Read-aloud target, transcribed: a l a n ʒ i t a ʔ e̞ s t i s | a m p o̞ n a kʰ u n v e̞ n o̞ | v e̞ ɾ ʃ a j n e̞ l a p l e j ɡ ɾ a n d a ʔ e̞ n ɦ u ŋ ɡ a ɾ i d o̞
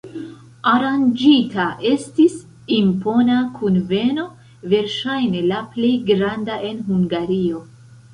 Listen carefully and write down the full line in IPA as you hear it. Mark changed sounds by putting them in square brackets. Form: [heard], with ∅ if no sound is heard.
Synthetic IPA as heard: a [ɾ] a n [d͡ʒ] i t a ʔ e̞ s t i s | [i] m p o̞ n a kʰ u n v e̞ n o̞ | v e̞ ɾ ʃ a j n e̞ l a p l e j ɡ ɾ a n d a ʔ e̞ n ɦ u ŋ ɡ a ɾ i [∅] o̞